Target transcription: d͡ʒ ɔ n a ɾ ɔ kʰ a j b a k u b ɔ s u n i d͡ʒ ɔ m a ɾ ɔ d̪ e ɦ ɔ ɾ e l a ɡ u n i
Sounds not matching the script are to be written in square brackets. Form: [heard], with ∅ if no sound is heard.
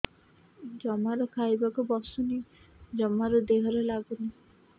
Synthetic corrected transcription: d͡ʒ ɔ [m] a ɾ ɔ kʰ a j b a k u b ɔ s u n i d͡ʒ ɔ m a ɾ ɔ d̪ e ɦ ɔ ɾ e l a ɡ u n i